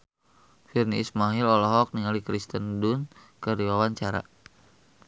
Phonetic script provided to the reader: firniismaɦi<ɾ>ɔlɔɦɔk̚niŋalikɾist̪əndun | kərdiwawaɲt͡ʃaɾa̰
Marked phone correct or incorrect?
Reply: incorrect